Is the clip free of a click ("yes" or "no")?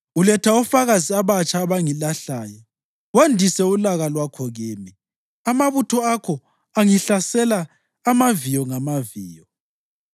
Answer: yes